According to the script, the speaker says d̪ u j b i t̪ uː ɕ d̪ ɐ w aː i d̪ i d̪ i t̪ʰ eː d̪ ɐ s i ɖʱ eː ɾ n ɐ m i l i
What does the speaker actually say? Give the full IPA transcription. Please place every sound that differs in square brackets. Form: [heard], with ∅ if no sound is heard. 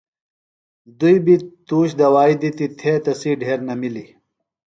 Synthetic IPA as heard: d̪ u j b i t̪ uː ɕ d̪ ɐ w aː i d̪ i [t̪] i t̪ʰ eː [t̪] ɐ s i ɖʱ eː ɾ n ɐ m i l i

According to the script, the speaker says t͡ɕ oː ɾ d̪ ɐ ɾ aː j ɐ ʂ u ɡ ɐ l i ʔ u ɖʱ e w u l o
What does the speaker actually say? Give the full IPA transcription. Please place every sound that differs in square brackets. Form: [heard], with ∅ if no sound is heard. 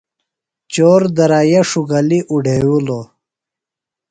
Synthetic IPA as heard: t͡ɕ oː ɾ d̪ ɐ ɾ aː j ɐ ʂ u ɡ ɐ l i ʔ u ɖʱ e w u l o

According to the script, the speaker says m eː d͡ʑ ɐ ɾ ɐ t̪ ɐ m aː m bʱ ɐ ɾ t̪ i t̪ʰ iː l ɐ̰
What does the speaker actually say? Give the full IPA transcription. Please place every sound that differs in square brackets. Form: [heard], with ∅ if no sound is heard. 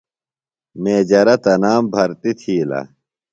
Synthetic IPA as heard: m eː d͡ʑ ɐ ɾ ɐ t̪ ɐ [n] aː m bʱ ɐ ɾ t̪ i t̪ʰ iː l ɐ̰

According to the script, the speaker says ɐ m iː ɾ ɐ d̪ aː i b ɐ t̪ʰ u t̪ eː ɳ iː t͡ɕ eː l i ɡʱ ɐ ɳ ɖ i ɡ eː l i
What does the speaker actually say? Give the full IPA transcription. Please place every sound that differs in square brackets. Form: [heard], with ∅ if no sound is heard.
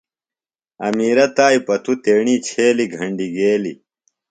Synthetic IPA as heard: ɐ m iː ɾ ɐ [t̪] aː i [p] ɐ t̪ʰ u t̪ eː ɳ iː [t͡ɕʰ] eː l i ɡʱ ɐ ɳ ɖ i ɡ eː l i

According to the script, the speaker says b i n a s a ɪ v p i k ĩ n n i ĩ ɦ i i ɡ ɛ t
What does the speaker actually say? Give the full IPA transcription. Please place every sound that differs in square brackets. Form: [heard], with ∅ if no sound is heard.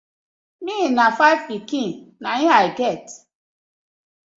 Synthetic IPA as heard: [m] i n a [f] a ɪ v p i k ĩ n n [a] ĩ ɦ [a] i ɡ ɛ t

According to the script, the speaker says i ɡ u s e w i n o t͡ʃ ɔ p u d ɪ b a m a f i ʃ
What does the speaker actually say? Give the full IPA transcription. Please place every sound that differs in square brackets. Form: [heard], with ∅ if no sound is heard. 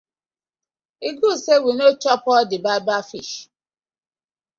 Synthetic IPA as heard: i ɡ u s e w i n o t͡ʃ ɔ p [ɔ] d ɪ b a [b] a f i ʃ

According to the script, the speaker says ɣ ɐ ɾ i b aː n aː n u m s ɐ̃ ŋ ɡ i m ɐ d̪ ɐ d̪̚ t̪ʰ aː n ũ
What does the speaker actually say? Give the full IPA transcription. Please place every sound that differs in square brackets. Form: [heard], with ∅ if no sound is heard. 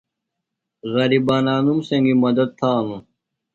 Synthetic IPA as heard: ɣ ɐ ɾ i b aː n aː n u m s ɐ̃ ŋ ɡ i m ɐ d̪ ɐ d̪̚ t̪ʰ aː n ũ

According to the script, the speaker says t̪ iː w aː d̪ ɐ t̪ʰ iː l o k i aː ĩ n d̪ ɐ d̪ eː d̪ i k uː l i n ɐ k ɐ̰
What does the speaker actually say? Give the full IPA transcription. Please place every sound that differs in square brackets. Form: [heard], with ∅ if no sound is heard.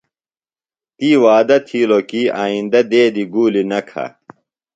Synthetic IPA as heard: t̪ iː w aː d̪ ɐ t̪ʰ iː l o k i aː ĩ n d̪ ɐ d̪ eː d̪ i [ɡ] uː l i n ɐ [kʰ] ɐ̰

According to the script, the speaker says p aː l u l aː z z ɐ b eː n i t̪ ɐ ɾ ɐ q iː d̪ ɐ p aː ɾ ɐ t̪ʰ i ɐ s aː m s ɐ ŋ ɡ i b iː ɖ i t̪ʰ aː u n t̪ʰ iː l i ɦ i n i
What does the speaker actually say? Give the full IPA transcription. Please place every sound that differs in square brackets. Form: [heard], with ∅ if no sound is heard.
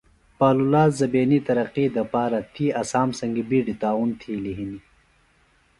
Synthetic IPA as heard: p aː l u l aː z z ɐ b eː n i t̪ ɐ ɾ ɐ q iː d̪ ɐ p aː ɾ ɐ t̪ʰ i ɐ s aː m s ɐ ŋ ɡ i b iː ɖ i [t̪] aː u n t̪ʰ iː l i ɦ i n i

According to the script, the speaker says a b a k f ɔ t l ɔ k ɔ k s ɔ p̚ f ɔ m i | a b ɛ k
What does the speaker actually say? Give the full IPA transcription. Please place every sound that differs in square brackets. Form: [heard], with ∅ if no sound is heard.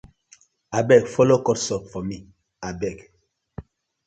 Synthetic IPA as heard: a b [ɛ] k f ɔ [∅] l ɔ k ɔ [t] s ɔ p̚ f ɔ m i | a b ɛ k

